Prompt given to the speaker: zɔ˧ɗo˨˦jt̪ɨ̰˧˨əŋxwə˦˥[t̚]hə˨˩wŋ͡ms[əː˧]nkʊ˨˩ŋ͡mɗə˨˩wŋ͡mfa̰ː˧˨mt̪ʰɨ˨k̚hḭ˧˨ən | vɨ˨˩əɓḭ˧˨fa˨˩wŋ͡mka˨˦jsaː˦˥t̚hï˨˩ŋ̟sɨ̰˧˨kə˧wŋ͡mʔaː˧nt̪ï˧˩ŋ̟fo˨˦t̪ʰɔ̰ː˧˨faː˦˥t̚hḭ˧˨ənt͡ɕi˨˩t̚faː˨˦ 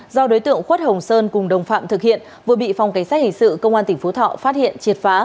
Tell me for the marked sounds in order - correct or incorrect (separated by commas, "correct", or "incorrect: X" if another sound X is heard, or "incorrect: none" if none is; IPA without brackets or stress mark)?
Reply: correct, correct